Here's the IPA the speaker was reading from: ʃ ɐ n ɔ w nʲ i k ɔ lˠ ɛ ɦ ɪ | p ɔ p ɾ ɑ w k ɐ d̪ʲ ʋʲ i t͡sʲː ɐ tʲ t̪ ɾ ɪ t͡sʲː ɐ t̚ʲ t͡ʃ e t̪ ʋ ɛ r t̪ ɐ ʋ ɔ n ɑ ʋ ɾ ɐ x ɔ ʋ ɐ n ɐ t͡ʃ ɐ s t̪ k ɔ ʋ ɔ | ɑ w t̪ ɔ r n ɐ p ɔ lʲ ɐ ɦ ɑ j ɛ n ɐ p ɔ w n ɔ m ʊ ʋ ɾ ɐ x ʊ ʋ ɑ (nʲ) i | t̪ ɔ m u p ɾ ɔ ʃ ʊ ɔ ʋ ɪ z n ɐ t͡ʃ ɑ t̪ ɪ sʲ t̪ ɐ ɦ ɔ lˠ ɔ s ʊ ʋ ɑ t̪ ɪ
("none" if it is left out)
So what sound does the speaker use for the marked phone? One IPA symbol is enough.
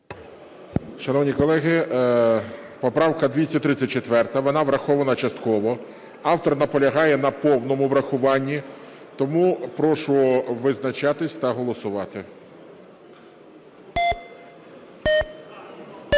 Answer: nʲː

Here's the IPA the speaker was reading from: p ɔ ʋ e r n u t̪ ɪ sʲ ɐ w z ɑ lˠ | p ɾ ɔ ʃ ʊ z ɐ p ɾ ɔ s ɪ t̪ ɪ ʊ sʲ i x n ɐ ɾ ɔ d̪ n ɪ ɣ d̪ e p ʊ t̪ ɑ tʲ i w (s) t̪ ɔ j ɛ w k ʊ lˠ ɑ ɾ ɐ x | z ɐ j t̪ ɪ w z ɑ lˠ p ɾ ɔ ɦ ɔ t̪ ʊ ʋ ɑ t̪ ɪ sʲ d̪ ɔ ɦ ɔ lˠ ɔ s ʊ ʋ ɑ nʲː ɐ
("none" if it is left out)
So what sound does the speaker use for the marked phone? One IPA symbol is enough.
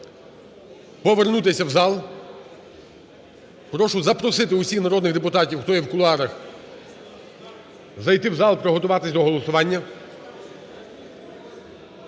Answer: x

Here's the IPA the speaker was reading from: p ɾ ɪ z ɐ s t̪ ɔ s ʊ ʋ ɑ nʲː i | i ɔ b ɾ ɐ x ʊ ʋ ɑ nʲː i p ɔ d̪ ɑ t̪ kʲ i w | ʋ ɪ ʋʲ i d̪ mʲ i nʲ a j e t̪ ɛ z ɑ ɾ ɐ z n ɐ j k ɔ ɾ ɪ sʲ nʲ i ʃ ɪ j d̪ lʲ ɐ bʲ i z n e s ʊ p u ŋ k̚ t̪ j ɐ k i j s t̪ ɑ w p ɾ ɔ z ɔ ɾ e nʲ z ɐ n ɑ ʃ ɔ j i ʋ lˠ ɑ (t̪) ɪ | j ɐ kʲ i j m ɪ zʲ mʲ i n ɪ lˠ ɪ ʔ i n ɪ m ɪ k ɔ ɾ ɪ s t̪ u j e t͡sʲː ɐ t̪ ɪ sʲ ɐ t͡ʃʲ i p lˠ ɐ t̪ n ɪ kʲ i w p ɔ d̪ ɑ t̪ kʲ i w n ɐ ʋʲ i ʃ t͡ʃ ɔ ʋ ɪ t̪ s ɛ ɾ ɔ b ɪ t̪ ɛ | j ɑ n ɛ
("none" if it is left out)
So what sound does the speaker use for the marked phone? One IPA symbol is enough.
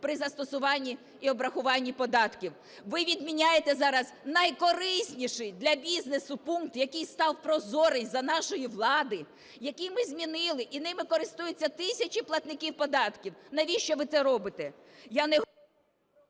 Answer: d̪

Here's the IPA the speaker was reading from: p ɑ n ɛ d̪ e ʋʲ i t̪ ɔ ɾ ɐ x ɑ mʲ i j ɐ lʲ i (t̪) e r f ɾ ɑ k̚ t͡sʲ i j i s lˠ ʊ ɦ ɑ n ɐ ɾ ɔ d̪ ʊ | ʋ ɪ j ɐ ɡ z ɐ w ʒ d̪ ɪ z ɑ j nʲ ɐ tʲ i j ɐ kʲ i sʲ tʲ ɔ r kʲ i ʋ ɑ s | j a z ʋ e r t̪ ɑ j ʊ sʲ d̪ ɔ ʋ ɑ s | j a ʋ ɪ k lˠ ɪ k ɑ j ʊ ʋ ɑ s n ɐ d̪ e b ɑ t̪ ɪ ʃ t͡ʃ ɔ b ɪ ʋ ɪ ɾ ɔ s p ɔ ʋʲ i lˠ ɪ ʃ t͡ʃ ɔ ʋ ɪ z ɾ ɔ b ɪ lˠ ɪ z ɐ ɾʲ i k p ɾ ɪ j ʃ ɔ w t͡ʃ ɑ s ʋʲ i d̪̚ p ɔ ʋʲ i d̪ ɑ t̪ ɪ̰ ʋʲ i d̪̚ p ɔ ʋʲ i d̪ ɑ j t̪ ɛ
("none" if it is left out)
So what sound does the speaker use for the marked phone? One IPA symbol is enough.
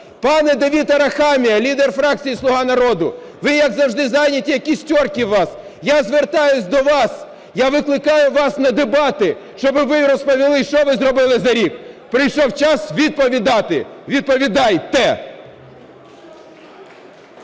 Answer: d̪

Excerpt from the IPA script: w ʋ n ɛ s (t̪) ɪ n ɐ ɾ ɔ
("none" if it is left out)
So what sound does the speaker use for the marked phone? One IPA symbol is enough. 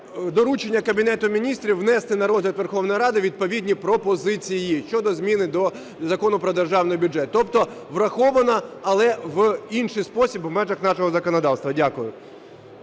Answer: t̪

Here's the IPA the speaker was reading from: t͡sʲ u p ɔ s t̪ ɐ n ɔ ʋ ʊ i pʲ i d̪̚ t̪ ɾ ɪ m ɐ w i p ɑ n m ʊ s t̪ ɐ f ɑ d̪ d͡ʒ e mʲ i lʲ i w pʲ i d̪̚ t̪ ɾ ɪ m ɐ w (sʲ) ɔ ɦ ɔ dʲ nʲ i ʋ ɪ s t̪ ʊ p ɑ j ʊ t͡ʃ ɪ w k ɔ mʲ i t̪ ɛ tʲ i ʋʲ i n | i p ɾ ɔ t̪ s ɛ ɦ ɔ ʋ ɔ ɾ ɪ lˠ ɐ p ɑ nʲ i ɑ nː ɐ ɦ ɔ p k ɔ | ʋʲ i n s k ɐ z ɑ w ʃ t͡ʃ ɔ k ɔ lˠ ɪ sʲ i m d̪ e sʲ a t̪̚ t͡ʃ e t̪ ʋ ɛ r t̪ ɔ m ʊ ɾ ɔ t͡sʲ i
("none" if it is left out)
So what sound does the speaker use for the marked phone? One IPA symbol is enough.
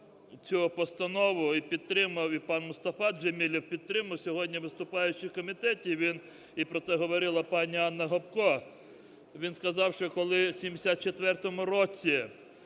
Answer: sʲ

